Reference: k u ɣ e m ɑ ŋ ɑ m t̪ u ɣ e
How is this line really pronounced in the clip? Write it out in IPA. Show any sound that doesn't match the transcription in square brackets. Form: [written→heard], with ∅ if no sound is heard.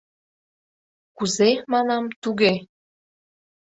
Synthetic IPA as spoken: k u [ɣ→z] e m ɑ [ŋ→n] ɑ m t̪ u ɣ e